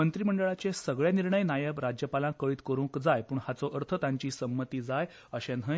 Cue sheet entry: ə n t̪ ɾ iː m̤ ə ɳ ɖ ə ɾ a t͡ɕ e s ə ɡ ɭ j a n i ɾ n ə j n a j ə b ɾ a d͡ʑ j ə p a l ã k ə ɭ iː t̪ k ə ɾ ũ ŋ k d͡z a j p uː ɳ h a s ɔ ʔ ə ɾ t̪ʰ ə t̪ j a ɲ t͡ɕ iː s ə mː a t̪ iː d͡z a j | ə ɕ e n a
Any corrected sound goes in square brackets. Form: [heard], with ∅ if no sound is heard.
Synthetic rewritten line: ə n t̪ ɾ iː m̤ ə ɳ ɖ ə [ɭ] a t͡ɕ e s ə ɡ ɭ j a n i ɾ [ɳ] ə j n a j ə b ɾ a d͡ʑ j ə p a l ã k ə ɭ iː t̪ k ə ɾ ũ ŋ k d͡z a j p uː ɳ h a [t͡s] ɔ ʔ ə ɾ t̪ʰ ə t̪ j a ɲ t͡ɕ iː s ə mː [ə] t̪ iː d͡z a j | ə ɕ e n [ə]